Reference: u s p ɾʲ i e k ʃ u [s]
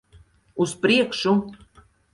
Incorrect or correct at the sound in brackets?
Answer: incorrect: none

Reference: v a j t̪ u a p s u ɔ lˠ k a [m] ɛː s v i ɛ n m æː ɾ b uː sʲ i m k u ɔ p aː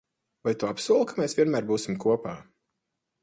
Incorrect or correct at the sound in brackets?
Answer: correct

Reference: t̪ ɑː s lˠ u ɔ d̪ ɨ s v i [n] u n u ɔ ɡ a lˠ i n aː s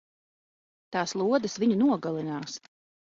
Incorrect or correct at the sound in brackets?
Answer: incorrect: ɲ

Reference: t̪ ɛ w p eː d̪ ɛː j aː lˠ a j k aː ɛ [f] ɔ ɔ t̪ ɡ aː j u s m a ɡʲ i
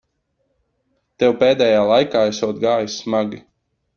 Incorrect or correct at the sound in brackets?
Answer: incorrect: s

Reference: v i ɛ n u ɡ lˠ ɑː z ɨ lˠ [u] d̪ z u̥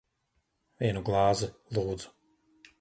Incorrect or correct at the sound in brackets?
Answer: incorrect: uː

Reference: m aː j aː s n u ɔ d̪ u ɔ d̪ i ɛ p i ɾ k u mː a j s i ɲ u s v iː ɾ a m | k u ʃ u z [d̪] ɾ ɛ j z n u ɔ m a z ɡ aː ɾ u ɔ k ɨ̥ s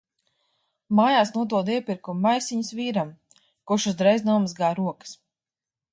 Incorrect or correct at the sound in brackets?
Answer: correct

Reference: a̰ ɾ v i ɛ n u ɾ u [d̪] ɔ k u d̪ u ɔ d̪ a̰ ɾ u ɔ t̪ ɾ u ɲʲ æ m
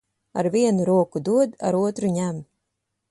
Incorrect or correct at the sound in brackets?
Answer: incorrect: none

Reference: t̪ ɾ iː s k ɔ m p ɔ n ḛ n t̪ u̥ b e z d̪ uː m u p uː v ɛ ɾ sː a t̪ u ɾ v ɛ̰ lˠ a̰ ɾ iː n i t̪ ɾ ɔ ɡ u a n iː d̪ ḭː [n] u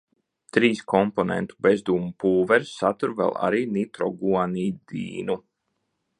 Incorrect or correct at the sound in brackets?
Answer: correct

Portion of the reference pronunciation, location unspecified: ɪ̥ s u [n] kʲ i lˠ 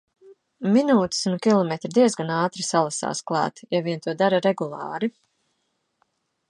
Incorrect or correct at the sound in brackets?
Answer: correct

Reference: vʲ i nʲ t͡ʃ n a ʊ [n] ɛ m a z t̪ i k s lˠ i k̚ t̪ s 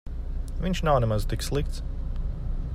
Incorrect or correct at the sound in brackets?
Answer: correct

